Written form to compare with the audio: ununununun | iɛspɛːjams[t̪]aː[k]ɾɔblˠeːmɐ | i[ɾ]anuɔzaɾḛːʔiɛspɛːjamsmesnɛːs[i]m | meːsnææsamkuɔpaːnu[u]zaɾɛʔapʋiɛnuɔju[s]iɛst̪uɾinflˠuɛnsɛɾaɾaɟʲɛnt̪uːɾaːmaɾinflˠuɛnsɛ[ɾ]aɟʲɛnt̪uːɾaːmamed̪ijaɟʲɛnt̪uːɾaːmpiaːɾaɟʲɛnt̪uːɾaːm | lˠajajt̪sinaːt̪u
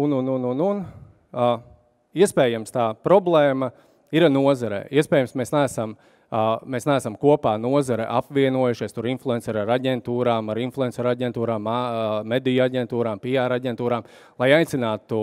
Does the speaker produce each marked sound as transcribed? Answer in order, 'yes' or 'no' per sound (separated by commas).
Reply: yes, no, yes, no, no, no, yes